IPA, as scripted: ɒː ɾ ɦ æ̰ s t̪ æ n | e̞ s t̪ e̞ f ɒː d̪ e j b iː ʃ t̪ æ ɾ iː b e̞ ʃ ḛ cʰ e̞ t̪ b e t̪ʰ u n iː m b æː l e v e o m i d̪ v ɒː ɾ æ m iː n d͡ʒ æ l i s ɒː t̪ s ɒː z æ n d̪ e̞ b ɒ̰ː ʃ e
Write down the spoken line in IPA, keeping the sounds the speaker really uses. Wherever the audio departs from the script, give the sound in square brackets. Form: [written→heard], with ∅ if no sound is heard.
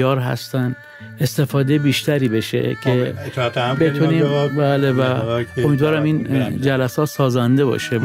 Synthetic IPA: ɒː ɾ ɦ æ̰ s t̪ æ n | e̞ s t̪ e̞ f ɒː d̪ e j b iː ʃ t̪ æ ɾ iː b e̞ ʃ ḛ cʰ e̞ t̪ b e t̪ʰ u n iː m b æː l e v [e→æ] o m i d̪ v ɒː ɾ æ m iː n d͡ʒ æ l [i→æ] s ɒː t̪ s ɒː z æ n d̪ e̞ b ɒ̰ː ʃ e

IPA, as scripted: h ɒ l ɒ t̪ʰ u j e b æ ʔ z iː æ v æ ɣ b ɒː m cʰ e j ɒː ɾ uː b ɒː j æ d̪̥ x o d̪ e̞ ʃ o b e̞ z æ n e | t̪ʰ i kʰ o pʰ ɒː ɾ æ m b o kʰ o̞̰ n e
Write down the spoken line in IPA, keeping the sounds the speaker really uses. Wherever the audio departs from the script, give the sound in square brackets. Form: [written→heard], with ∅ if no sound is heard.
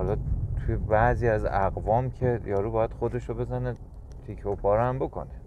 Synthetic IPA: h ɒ l ɒ t̪ʰ u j e b æ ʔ z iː æ [v→z] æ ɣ [b→v] ɒː m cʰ e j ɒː ɾ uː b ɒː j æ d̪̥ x o d̪ e̞ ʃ o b e̞ z æ n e | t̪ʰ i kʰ o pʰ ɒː ɾ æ m b o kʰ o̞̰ n e

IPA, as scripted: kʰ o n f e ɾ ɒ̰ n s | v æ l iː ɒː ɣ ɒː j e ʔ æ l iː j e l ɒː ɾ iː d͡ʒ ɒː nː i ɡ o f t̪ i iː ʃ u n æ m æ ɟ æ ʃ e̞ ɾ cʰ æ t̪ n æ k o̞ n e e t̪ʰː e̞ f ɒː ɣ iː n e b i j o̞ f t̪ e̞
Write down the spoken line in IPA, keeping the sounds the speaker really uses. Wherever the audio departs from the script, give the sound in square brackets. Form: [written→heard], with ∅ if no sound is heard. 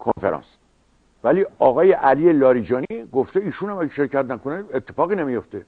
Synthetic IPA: kʰ o n f e ɾ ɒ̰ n s | v æ l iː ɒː ɣ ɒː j e ʔ æ l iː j e l ɒː ɾ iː d͡ʒ ɒː [nː→n] i ɡ o f t̪ [i→e] iː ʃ u n æ m æ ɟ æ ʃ e̞ ɾ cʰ æ t̪ n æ k o̞ n e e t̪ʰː e̞ f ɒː ɣ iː n e [b→m] i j o̞ f t̪ e̞

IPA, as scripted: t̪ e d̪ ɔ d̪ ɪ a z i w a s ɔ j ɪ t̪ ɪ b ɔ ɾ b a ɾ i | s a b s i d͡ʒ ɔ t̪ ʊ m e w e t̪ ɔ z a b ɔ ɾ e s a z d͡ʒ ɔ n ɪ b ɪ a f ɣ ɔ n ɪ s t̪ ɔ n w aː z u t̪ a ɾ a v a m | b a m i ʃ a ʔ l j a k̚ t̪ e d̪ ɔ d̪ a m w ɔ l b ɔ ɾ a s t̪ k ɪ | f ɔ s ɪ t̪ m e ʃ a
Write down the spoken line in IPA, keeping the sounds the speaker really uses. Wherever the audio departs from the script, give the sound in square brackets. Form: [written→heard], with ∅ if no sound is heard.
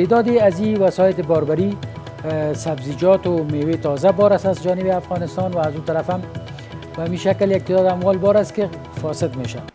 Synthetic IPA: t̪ e d̪ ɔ d̪ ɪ a z i w a s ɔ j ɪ t̪ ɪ b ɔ ɾ b a ɾ i | s a b [s→z] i d͡ʒ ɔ t̪ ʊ m e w e t̪ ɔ z a b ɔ ɾ [e→a] s a z d͡ʒ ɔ n ɪ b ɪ a f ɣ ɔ n ɪ s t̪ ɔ n w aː z u t̪ a ɾ a [v→f] a m | b a m i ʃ a [ʔ→k] l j a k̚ t̪ e d̪ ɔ d̪ a m w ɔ l b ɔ ɾ a s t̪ k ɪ | f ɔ s ɪ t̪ m e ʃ a

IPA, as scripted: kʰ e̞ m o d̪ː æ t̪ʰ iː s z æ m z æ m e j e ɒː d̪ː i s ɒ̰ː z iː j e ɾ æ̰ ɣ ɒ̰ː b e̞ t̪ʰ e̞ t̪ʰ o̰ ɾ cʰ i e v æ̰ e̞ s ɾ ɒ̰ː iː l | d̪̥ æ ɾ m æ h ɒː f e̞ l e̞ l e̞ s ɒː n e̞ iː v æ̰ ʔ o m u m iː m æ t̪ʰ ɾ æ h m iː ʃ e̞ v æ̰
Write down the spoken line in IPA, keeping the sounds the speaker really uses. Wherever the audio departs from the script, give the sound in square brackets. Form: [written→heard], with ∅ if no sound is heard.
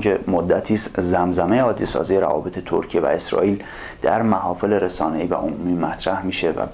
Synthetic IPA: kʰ e̞ m o d̪ː æ t̪ʰ iː s z æ m z æ m e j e ɒː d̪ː i s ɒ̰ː z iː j e ɾ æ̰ [ɣ→v] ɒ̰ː b e̞ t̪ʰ e̞ t̪ʰ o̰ ɾ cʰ i e v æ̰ e̞ s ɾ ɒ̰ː iː l | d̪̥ æ ɾ m æ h ɒː f e̞ l e̞ [l→ɾ] e̞ s ɒː n e̞ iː v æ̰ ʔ o m u m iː m æ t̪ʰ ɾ æ h m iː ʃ e̞ v æ̰

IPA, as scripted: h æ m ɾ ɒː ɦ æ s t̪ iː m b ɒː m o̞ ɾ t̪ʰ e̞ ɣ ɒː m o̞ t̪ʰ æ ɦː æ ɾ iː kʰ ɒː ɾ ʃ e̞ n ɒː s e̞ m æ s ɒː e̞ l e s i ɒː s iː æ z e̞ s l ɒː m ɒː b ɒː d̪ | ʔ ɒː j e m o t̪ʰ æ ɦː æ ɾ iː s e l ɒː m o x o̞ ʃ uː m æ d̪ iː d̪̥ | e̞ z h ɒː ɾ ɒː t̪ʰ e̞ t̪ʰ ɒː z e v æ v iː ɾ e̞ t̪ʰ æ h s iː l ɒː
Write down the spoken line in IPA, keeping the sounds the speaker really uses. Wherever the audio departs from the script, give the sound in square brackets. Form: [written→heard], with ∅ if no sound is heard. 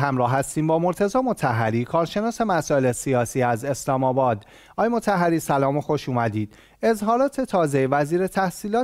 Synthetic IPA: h æ m ɾ ɒː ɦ æ s t̪ iː m b ɒː m o̞ ɾ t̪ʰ e̞ [ɣ→z] ɒː m o̞ t̪ʰ æ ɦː æ ɾ iː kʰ ɒː ɾ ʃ e̞ n ɒː s e̞ m æ s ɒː e̞ l e s i ɒː s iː æ z e̞ s l ɒː m ɒː b ɒː d̪ | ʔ ɒː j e m o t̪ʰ æ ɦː æ ɾ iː s [e→æ] l ɒː m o x o̞ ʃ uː m æ d̪ iː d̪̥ | e̞ z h ɒː ɾ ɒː t̪ʰ e̞ t̪ʰ ɒː z e v æ [v→z] iː ɾ e̞ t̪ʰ æ h s iː l ɒː

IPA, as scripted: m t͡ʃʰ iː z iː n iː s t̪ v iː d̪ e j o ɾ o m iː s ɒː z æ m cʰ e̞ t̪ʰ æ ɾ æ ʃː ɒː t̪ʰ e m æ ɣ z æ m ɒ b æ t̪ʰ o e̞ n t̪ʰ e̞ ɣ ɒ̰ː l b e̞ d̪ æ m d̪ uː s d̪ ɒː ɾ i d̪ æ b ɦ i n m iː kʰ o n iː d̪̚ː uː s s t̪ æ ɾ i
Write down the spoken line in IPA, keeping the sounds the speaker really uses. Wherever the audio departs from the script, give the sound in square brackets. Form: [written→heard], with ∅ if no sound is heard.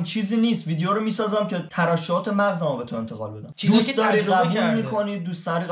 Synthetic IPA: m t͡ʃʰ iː z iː n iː s t̪ v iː d̪ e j o ɾ o m iː s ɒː z æ m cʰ e̞ t̪ʰ æ ɾ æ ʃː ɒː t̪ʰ e m æ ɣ z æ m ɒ b [æ→e] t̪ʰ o e̞ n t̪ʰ e̞ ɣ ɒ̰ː l b e̞ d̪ æ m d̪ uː s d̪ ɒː ɾ i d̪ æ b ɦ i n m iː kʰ o n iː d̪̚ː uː s s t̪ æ ɾ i

